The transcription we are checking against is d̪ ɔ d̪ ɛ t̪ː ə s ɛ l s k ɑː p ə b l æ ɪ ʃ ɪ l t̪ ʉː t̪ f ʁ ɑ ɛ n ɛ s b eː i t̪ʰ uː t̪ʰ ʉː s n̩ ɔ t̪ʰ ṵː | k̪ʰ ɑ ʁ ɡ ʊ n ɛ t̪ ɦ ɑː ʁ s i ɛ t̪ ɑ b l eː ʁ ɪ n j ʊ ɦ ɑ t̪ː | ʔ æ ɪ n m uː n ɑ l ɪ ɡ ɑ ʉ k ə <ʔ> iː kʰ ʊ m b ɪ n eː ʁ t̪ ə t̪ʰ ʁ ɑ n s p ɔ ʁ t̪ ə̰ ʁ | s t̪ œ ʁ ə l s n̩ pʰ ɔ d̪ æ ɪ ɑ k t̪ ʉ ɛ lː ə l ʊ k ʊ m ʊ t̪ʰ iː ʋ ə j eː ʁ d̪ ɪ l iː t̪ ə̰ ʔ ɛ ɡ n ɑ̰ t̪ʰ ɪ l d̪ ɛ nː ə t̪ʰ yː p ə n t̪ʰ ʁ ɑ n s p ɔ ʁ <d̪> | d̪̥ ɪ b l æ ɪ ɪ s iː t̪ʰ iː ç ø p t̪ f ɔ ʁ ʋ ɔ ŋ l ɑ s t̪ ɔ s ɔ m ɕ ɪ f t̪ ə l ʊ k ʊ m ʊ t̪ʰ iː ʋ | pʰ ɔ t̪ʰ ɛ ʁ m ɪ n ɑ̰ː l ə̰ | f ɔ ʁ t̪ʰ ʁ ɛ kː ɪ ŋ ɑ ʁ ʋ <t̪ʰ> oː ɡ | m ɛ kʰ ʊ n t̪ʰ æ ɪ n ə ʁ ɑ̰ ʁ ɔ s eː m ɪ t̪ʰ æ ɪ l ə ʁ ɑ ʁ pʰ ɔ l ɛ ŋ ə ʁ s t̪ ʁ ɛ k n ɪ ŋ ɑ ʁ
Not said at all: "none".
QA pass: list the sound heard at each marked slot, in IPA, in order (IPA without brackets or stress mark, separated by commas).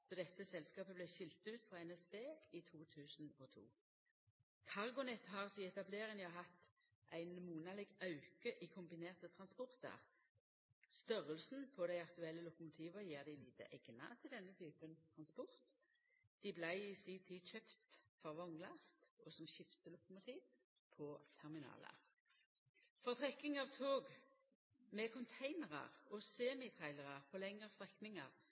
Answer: ʔ, t̪, t̪ʰ